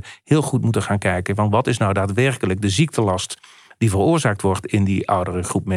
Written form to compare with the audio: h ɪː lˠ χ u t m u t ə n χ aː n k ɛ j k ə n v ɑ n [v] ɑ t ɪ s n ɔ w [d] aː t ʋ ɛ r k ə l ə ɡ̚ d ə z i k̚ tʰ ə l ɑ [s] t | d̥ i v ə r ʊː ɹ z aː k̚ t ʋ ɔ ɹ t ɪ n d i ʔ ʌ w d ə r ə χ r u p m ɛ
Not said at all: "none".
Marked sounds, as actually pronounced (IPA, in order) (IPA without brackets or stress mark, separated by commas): ʋ, d, s